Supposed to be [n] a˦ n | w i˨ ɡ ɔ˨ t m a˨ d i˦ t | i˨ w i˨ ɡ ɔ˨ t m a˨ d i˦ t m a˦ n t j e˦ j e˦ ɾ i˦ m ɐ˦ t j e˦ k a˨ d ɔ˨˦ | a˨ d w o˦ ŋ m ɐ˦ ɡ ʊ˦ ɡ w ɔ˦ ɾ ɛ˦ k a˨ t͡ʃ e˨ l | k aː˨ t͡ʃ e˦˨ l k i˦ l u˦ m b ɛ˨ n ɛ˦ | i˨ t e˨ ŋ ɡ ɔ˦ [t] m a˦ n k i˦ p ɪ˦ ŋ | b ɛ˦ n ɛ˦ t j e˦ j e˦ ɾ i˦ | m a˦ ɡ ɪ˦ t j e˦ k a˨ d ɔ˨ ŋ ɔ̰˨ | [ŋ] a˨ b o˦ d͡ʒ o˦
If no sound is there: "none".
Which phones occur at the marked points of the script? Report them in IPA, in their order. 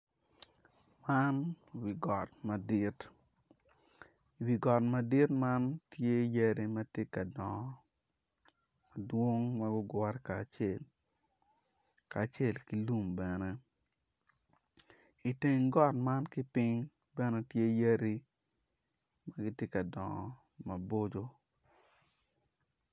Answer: m, t, m

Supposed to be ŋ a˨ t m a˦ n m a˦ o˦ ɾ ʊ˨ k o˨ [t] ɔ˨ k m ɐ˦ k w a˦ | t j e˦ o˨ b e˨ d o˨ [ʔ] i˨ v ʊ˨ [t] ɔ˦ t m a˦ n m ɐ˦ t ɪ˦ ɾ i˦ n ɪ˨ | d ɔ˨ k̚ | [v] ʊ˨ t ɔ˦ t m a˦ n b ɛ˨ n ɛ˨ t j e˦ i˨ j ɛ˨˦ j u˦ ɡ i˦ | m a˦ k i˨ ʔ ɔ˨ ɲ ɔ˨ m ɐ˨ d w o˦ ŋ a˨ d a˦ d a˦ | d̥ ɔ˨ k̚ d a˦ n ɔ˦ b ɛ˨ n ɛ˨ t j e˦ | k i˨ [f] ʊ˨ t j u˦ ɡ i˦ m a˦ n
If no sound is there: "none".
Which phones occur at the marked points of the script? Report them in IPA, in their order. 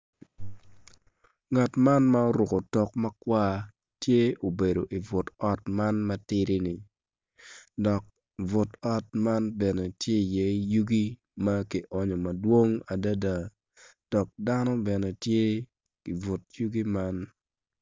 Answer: t, ʔ, t, v, v

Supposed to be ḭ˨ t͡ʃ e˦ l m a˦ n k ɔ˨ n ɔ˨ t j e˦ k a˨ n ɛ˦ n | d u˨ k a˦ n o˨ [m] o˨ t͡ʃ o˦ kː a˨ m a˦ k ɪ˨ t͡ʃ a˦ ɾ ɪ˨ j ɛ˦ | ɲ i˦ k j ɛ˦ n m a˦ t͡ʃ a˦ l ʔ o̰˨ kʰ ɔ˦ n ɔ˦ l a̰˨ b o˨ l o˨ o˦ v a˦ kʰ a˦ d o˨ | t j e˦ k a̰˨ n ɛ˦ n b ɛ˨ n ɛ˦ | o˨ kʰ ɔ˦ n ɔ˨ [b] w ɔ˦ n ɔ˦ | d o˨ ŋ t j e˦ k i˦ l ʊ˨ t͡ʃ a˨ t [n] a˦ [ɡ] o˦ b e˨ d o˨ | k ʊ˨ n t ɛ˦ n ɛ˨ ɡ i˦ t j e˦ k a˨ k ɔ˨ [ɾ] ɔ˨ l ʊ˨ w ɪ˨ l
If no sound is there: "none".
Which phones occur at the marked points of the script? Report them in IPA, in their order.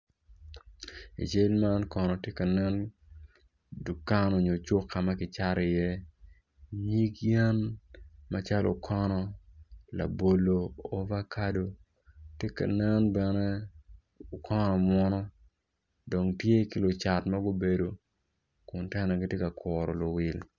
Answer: ɲ, m, m, ɡ, ɾ

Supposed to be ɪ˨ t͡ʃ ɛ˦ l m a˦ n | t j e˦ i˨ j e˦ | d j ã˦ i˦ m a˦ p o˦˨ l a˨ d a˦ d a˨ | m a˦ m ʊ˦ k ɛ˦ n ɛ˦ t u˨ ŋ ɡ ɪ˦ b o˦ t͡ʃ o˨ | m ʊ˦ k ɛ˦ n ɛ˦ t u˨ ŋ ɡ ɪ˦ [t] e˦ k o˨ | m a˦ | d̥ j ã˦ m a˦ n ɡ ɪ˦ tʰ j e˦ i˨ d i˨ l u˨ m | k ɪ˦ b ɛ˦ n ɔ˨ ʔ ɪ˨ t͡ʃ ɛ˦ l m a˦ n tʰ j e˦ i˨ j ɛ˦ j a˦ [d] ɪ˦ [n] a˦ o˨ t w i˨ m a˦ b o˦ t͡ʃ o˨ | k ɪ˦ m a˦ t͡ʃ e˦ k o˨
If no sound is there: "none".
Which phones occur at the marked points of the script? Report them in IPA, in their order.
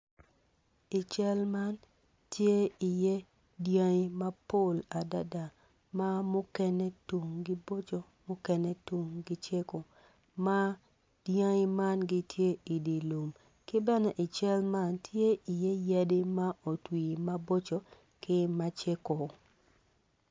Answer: t͡ʃ, d, m

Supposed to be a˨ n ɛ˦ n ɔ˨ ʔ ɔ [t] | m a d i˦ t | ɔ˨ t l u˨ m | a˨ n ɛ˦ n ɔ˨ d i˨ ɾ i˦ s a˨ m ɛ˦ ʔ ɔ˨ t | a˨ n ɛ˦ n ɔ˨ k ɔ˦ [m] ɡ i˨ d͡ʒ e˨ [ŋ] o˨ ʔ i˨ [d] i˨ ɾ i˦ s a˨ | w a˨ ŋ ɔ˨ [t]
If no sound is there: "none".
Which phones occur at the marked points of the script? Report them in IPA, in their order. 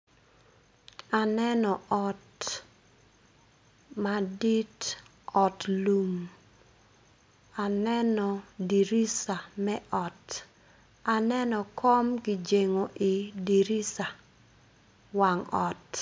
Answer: t, m, ŋ, d, t

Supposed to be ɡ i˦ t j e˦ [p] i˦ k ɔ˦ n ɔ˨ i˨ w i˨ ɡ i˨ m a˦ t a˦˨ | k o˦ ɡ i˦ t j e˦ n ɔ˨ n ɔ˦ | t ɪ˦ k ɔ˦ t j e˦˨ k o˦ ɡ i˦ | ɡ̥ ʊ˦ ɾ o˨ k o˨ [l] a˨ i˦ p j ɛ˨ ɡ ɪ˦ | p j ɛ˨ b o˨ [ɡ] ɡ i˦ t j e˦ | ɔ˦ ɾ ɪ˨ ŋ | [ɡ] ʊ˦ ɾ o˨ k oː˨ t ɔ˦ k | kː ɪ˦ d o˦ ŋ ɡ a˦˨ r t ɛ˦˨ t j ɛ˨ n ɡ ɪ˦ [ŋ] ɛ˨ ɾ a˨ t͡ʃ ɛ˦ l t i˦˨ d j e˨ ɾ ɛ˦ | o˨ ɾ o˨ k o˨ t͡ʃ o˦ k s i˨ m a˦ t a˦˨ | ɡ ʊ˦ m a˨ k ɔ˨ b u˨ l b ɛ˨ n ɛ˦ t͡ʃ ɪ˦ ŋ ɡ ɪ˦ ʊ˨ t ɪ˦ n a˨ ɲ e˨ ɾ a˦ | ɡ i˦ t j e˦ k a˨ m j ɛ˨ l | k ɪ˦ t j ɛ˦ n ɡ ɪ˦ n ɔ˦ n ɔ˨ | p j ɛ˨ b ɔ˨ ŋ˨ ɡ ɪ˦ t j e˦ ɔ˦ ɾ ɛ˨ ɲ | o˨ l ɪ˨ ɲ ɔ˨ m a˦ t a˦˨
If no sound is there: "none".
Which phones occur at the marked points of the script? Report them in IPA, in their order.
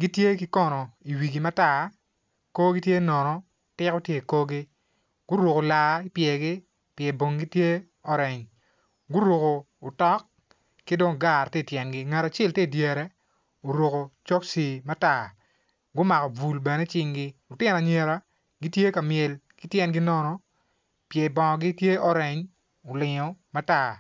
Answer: k, l, ŋ, ɡ, ŋ

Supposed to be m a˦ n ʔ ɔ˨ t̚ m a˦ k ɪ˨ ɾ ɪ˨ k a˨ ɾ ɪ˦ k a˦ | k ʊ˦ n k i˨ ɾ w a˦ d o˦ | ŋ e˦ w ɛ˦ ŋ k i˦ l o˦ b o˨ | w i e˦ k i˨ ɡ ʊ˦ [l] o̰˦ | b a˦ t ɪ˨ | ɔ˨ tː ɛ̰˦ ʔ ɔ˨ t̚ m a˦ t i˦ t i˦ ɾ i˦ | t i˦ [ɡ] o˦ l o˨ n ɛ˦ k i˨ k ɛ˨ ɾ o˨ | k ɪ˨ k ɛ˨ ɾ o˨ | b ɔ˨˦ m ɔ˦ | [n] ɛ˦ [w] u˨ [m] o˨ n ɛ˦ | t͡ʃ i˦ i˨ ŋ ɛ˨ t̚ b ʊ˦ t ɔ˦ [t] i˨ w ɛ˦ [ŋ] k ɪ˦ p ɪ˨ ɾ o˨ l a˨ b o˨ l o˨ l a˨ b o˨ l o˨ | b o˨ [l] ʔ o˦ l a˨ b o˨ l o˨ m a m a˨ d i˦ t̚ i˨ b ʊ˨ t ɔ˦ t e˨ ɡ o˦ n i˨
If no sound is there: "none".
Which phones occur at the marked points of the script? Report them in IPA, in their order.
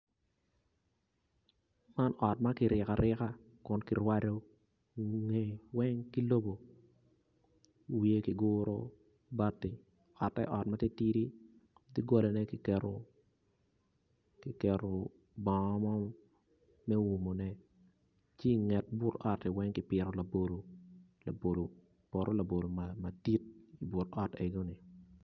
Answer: ɾ, ɡ, m, w, m, t, ŋ, ɾ

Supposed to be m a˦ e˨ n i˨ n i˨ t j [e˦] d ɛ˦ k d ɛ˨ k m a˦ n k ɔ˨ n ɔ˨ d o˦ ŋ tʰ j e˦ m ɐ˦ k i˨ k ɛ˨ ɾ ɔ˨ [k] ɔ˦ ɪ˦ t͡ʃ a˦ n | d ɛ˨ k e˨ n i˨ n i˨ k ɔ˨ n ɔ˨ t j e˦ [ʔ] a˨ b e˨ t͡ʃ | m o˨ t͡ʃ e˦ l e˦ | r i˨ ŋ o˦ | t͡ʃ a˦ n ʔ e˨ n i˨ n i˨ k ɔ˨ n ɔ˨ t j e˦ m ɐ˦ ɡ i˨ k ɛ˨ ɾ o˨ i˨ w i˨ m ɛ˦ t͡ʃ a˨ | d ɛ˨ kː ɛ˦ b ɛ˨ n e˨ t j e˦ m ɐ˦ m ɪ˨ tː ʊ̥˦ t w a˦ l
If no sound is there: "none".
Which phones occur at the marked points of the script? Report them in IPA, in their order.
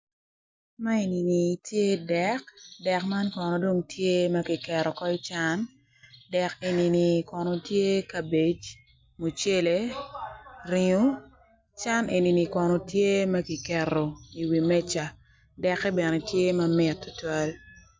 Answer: e˦, k, k

